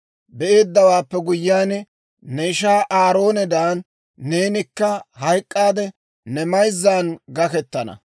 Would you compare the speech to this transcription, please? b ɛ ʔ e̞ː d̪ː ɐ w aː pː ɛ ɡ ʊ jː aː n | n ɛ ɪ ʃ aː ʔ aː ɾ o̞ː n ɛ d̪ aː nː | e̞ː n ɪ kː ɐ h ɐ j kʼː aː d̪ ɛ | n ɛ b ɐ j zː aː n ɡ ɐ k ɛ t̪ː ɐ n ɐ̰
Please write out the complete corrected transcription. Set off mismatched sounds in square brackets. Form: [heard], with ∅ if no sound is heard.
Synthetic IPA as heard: b ɛ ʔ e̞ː d̪ː ɐ w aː pː ɛ ɡ ʊ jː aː n | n ɛ ɪ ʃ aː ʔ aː ɾ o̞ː n ɛ d̪ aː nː | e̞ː n ɪ kː ɐ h ɐ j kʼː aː d̪ ɛ | n ɛ [m] ɐ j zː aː n ɡ ɐ k ɛ t̪ː ɐ n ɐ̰